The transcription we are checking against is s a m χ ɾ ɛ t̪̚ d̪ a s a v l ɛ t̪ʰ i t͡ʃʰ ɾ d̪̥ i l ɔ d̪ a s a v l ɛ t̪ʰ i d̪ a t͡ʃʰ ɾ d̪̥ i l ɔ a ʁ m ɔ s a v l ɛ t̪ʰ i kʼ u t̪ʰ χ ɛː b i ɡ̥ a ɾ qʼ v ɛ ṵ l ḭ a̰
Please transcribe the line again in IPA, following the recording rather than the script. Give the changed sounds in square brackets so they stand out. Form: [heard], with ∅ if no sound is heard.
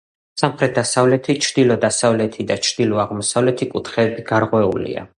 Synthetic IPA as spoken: s a m χ ɾ ɛ t̪̚ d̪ a s a v l ɛ t̪ʰ i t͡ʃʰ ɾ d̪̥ i l ɔ d̪ a s a v l ɛ t̪ʰ i d̪ a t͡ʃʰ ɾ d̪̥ i l ɔ a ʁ m ɔ s a v l ɛ t̪ʰ i kʼ u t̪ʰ χ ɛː b i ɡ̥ a ɾ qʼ [w] ɛ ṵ l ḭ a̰

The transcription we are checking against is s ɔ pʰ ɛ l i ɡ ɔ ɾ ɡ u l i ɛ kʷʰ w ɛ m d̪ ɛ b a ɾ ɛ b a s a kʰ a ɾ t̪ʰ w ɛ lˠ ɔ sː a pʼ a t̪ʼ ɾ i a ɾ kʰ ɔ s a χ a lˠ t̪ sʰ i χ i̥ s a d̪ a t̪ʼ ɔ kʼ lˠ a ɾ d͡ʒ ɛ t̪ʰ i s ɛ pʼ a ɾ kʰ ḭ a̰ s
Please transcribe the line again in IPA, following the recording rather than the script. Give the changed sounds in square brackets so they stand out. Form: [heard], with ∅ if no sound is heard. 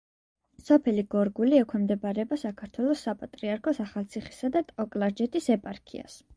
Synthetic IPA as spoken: s ɔ pʰ ɛ l i ɡ ɔ ɾ ɡ u l i ɛ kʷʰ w ɛ m d̪ ɛ b a ɾ ɛ b a s a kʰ a ɾ t̪ʰ w ɛ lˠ ɔ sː a pʼ a t̪ʼ ɾ i a ɾ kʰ ɔ s a χ a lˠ t̪ sʰ i χ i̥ s a d̪ a t̪ʼ ɔ kʼ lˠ a ɾ d͡ʒ ɛ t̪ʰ i s ɛ pʼ a ɾ kʰ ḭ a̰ s

